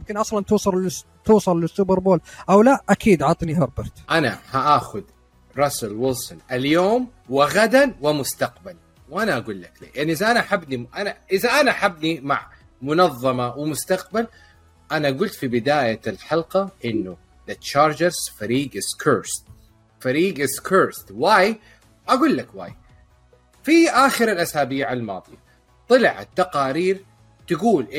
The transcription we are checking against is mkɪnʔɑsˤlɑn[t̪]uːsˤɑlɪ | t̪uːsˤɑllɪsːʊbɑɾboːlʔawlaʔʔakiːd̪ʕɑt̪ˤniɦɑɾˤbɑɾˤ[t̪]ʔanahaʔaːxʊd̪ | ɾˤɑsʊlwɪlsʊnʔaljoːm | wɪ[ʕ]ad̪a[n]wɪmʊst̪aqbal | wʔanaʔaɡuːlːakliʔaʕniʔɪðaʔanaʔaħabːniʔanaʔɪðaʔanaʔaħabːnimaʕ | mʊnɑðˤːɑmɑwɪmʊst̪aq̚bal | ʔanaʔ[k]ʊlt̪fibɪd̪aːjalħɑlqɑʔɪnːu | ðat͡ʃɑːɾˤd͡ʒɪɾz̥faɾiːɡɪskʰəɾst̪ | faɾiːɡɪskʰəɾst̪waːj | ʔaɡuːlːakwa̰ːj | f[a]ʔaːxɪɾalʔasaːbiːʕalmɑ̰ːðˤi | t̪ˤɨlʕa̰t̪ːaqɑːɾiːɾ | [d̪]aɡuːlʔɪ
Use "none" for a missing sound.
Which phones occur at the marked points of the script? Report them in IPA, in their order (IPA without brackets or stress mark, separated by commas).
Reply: t̪, t̪, ɣ, n, ɡ, i, t̪